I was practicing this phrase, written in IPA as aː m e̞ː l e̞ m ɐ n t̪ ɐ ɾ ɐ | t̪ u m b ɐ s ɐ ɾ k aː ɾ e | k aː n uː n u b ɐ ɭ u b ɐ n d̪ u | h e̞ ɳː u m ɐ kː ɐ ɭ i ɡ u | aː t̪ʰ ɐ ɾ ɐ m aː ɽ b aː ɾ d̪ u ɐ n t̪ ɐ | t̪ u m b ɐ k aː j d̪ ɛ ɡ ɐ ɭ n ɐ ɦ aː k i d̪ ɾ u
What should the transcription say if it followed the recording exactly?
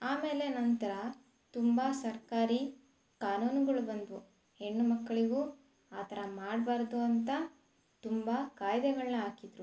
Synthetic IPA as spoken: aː m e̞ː l e̞ n ɐ n t̪ ɐ ɾ ɐ | t̪ u m b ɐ s ɐ ɾ k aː ɾ i | k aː n uː n u ɡ ɐ ɭ u b ɐ n d̪ u | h e̞ ɳː u m ɐ kː ɐ ɭ i ɡ u | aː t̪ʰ ɐ ɾ ɐ m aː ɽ b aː ɾ d̪ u ɐ n t̪ ɐ | t̪ u m b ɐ k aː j d̪ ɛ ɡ ɐ ɭ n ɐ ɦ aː k i d̪ ɾ u